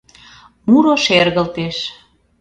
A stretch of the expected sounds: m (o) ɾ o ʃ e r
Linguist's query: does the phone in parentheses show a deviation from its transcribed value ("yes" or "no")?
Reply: yes